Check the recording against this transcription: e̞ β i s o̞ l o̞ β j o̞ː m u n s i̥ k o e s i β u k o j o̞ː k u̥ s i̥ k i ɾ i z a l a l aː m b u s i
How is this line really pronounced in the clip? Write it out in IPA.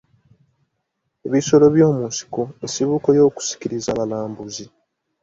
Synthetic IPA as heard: e̞ β i s o̞ l o̞ β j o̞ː m u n s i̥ k o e s i β u k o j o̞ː k u̥ s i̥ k i ɾ i z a l a l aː m b u z i